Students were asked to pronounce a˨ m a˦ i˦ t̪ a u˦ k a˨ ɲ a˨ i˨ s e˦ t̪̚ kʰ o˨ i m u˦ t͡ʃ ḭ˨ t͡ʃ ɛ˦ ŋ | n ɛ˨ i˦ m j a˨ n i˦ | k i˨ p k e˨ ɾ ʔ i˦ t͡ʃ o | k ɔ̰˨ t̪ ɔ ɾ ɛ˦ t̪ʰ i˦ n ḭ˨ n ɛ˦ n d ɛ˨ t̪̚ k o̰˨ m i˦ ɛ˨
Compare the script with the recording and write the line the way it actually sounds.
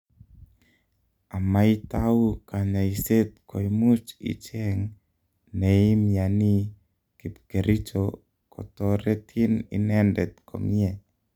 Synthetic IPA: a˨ m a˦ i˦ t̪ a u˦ k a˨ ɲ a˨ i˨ s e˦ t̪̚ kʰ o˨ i m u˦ t͡ʃ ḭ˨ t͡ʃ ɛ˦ ŋ | n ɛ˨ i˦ m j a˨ n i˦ | k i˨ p k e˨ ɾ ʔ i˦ t͡ʃ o | k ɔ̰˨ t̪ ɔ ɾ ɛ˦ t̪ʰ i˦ n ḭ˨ n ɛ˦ n d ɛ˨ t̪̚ k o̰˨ m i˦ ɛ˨

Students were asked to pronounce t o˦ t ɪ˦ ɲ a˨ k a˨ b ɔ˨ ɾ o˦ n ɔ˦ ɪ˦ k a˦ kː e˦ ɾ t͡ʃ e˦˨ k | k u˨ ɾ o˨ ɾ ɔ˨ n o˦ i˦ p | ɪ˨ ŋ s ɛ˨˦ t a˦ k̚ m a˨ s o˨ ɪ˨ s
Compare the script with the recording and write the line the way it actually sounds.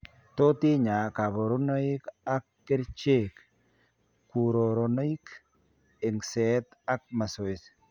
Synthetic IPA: t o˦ t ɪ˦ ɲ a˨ k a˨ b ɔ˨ ɾ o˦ n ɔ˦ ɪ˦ k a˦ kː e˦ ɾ t͡ʃ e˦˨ k | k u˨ ɾ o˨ ɾ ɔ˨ n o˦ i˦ k | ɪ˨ ŋ s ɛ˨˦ t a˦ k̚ m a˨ s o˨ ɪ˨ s

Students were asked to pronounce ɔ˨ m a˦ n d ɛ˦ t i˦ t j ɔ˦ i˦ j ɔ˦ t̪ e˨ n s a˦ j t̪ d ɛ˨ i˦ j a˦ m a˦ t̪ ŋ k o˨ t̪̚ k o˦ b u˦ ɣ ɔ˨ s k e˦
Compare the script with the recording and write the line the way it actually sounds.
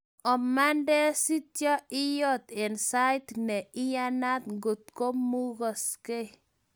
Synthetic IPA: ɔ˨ m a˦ n d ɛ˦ s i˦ t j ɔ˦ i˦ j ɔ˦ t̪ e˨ n s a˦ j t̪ n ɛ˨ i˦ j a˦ n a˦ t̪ ŋ ɡ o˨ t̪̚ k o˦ m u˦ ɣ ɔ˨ s k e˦

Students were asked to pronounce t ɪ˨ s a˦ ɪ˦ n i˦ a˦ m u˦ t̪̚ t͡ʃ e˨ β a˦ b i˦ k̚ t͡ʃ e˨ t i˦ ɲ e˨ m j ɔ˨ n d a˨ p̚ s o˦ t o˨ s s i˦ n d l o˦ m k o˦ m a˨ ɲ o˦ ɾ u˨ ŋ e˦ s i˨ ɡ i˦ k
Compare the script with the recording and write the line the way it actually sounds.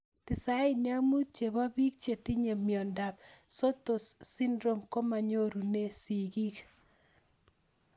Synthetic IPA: t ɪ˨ s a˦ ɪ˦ n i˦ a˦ m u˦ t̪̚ t͡ʃ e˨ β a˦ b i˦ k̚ t͡ʃ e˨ t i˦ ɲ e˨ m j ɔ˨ n d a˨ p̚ s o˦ t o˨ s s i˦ n d ɾ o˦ m k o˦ m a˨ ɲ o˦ ɾ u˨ n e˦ s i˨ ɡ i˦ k

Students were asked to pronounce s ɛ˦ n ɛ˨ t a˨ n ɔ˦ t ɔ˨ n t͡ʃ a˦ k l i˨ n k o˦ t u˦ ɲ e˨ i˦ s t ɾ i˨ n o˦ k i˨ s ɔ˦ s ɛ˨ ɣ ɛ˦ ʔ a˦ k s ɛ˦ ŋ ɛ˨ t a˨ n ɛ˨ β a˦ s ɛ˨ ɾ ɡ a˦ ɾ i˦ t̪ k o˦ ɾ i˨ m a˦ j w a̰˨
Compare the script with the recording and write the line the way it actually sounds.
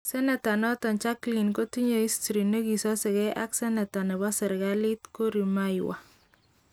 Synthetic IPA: s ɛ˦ n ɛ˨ t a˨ n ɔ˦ t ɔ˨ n t͡ʃ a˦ k l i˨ n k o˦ t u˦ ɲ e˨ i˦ s t ɾ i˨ n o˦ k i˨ s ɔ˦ s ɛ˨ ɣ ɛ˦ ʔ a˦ k s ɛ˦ n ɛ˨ t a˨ n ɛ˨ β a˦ s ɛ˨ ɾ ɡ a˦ l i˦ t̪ k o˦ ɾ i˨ m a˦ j w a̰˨

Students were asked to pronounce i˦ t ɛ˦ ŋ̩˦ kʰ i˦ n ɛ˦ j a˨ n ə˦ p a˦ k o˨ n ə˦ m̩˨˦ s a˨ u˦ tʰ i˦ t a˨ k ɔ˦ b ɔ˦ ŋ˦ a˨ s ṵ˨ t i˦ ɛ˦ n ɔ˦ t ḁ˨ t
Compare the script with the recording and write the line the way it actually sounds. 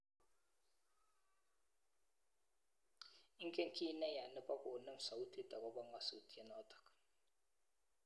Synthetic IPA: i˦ k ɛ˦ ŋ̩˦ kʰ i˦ n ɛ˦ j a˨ n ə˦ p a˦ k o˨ n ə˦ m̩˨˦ s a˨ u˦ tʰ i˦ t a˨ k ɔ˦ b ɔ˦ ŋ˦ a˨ s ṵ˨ t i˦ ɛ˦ n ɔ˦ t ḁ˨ k

